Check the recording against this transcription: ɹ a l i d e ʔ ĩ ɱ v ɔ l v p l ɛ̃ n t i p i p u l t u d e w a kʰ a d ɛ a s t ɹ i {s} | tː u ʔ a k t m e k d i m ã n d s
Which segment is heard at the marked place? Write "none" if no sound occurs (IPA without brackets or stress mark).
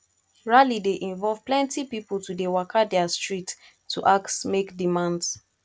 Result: t